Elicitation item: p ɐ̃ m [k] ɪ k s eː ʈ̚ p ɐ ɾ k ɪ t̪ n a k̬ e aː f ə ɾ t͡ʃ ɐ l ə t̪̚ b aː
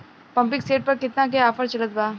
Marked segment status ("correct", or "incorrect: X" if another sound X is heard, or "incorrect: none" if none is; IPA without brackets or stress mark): incorrect: p